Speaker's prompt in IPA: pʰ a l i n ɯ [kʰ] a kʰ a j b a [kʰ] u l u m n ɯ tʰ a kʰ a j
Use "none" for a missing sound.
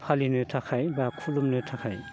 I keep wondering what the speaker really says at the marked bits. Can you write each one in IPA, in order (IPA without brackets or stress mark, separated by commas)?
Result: tʰ, kʰ